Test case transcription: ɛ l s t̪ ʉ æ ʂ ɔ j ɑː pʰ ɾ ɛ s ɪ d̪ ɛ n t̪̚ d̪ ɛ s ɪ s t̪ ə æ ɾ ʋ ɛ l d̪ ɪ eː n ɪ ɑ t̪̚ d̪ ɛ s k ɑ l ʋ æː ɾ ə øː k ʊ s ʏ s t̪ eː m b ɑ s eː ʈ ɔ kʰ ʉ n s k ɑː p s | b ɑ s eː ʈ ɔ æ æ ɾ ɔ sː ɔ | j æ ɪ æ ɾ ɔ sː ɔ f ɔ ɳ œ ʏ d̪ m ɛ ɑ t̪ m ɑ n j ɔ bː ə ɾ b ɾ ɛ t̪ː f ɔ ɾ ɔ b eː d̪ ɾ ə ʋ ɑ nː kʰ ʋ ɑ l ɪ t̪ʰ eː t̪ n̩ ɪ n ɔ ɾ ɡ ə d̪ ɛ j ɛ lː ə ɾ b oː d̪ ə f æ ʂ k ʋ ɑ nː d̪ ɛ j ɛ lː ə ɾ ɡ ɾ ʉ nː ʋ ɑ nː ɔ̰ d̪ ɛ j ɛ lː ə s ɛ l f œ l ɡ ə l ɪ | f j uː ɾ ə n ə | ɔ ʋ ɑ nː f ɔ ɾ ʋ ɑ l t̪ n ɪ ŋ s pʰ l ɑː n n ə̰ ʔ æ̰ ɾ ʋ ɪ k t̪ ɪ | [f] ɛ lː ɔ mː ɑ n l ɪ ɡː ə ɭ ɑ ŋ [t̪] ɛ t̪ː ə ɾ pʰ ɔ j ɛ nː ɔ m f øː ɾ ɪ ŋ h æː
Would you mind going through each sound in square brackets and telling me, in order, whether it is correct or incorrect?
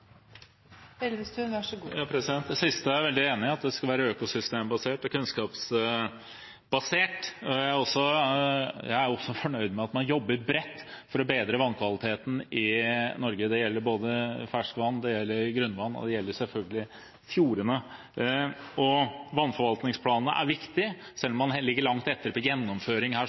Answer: incorrect: s, correct

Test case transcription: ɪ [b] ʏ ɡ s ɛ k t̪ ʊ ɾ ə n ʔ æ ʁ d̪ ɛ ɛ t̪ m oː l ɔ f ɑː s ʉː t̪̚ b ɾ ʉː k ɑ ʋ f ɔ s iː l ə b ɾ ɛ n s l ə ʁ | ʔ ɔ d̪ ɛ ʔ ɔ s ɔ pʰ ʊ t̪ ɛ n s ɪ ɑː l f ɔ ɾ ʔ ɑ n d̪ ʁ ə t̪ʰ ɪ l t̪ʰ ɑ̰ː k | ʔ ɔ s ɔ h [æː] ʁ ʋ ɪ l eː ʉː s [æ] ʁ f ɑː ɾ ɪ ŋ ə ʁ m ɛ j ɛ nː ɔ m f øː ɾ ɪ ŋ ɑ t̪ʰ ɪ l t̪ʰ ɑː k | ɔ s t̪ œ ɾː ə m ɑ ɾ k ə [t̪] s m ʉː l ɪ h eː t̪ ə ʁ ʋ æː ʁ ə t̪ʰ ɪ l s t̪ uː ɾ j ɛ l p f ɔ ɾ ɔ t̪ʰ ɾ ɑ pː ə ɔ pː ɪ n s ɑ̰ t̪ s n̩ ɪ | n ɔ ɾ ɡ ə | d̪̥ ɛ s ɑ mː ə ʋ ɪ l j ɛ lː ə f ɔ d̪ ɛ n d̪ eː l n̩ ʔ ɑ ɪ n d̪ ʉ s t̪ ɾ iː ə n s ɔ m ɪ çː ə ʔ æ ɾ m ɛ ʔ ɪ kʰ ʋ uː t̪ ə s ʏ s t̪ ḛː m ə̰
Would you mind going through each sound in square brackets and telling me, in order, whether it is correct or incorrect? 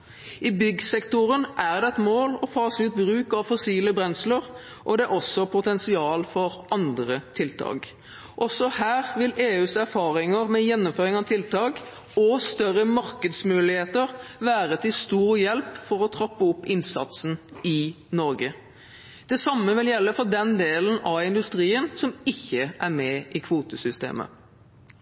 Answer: correct, correct, correct, incorrect: d̪

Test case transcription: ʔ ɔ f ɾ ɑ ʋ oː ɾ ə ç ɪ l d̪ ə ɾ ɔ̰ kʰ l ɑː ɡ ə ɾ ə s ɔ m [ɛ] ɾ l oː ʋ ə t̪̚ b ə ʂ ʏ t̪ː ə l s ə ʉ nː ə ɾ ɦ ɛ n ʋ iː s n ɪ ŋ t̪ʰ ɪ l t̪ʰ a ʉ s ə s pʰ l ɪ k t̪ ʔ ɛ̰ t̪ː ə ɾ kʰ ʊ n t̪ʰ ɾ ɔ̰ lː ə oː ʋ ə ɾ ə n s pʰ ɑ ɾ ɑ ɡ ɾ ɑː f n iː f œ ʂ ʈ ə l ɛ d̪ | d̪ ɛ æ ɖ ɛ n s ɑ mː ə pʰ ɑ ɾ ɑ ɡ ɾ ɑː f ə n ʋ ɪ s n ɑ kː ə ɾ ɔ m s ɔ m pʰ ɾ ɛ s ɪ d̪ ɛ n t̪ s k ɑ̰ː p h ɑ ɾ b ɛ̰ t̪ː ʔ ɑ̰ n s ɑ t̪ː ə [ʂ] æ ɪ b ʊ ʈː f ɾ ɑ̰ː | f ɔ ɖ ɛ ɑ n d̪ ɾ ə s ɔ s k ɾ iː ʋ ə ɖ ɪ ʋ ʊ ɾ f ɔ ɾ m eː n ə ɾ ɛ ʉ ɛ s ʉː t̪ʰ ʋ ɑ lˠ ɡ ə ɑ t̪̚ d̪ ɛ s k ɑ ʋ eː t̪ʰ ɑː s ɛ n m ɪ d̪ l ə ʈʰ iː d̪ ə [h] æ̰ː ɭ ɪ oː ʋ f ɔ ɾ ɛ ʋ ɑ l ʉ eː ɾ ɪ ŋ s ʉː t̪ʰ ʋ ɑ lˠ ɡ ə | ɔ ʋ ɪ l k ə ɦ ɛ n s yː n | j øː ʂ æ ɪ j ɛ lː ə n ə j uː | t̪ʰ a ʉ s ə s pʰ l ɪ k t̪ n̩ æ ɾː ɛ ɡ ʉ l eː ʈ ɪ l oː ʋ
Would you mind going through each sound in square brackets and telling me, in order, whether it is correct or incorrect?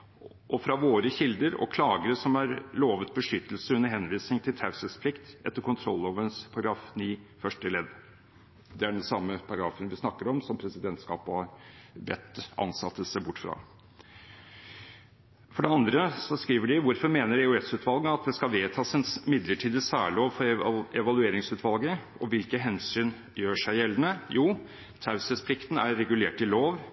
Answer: incorrect: æ, incorrect: s, incorrect: s

